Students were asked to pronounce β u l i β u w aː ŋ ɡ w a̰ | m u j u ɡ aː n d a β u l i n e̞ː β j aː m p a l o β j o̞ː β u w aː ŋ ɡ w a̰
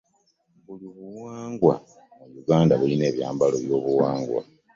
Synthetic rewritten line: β u l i β u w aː ŋ ɡ w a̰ | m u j u ɡ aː n d a β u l i n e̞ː β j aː m b a l o β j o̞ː β u w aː ŋ ɡ w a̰